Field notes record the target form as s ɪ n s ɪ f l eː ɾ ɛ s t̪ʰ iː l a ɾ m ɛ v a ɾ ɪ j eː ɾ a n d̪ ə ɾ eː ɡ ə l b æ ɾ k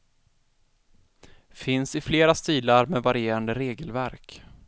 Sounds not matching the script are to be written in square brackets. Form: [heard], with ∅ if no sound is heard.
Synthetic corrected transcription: [f] ɪ n s ɪ f l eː ɾ [a] s [t̪] iː l a ɾ m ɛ v a ɾ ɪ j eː ɾ a n d̪ ə ɾ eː ɡ ə l [v] æ ɾ k